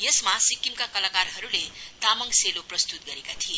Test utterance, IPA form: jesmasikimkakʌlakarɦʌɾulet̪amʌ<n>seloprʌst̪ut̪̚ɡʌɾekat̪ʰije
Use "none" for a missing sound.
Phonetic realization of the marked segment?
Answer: ŋ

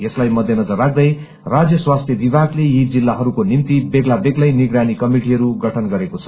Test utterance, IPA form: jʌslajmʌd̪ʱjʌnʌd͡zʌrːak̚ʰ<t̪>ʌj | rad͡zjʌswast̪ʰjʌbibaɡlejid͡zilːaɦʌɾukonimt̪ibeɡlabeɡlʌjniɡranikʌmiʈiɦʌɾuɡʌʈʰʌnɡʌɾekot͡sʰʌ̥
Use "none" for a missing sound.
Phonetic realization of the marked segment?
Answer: d̪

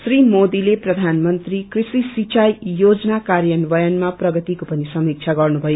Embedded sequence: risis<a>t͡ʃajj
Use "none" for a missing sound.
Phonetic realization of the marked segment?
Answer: i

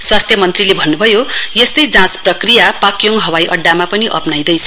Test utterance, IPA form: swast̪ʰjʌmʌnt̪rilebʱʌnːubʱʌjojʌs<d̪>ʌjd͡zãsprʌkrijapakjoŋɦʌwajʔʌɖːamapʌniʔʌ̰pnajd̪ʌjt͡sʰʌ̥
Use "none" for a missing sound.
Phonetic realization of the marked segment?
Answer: t̪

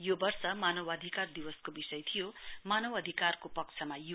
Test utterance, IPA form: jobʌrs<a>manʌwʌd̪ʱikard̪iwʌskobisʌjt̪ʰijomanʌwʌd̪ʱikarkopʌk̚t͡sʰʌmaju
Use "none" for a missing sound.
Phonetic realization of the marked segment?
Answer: ʌ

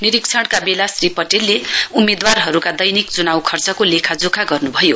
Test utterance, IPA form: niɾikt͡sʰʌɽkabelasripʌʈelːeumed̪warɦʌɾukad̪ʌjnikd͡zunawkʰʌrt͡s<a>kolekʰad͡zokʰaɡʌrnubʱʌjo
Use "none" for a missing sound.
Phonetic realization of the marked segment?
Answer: ʌ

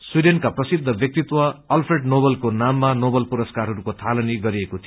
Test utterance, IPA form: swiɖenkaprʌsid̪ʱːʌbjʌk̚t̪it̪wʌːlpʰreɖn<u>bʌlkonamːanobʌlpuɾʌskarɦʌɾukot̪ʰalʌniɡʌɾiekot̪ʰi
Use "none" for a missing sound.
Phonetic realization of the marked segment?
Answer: o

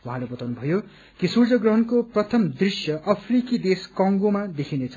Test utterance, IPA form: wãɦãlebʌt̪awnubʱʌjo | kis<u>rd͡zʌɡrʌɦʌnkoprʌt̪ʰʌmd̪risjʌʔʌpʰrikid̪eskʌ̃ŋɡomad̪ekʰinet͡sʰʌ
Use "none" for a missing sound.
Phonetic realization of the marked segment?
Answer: u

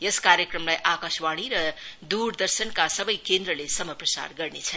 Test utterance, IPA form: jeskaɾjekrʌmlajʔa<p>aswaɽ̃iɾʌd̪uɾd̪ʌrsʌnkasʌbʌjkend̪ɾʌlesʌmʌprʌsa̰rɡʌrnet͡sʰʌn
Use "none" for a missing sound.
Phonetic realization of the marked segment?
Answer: k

